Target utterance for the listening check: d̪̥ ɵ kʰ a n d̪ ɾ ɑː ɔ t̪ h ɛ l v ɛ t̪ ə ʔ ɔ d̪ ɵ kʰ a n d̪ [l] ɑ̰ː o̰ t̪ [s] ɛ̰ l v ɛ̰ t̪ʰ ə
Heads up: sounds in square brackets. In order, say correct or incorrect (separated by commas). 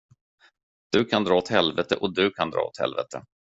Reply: incorrect, incorrect